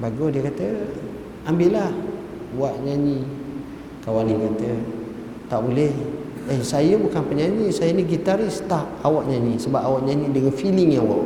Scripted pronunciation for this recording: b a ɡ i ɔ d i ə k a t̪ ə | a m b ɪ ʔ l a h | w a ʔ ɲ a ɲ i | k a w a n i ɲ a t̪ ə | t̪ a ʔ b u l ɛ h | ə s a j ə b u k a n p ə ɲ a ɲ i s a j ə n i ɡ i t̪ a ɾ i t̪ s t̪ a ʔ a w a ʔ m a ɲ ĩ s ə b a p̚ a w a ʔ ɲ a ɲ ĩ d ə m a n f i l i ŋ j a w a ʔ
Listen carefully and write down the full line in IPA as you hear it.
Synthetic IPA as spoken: b a ɡ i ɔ d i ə k a t̪ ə | a m b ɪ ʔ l a h | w a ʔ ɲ a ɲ i | k a w a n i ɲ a t̪ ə | t̪ a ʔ b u l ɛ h | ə s a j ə b u k a n p ə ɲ a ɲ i s a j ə n i ɡ i t̪ a ɾ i s t̪ a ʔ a w a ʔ ɲ a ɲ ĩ s ə b a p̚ a w a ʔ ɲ a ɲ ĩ d ə ŋ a n f i l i ŋ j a w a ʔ